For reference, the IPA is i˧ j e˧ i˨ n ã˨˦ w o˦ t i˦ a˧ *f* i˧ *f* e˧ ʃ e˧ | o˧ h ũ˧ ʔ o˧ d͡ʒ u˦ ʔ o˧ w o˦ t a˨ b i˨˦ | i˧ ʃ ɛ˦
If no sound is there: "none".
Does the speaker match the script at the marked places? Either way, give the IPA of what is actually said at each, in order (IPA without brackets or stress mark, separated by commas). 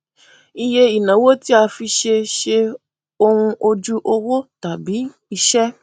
f, ʃ